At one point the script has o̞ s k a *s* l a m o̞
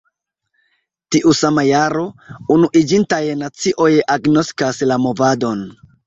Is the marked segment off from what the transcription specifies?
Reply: no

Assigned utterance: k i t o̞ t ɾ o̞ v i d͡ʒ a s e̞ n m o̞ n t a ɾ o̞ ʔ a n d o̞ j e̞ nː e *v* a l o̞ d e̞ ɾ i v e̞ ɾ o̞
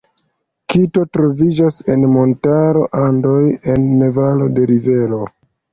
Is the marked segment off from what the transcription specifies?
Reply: no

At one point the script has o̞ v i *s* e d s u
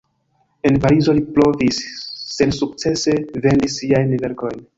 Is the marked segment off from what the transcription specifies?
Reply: yes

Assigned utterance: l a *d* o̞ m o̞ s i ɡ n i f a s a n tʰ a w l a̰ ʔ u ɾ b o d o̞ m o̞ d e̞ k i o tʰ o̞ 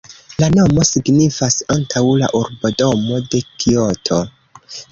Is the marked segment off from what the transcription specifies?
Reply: yes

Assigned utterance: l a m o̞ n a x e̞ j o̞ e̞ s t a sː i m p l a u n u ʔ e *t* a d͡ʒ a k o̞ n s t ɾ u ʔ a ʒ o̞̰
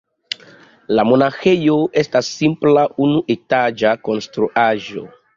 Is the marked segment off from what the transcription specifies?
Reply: no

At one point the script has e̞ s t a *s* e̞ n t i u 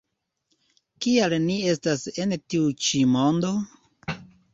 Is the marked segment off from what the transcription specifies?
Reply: no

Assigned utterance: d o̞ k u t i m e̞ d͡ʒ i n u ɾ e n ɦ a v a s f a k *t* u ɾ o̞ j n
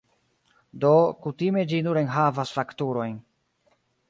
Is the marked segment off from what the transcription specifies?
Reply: no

